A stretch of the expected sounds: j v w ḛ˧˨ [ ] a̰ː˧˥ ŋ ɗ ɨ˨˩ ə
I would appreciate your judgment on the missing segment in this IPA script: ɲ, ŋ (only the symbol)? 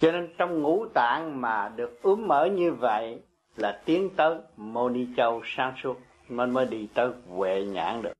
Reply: ɲ